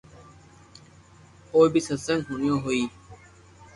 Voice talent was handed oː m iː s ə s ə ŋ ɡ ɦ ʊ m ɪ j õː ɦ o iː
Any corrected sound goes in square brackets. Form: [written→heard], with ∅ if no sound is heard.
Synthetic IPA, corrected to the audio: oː [m→b] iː s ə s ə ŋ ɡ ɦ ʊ [m→n] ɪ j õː ɦ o iː